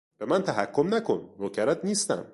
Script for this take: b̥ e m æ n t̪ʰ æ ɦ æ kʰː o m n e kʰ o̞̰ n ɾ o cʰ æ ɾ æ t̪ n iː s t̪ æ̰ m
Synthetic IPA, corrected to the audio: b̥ e m æ n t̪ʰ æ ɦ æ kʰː o m n æ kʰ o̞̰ n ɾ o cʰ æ ɾ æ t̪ n iː s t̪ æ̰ m